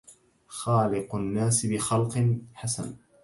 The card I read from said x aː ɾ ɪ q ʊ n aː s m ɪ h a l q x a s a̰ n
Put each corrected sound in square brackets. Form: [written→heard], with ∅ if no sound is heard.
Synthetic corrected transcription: x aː [ɾ→l] ɪ q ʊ [n→nː] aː s [m→b] ɪ [h→x] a l q [x→ħ] a s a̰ n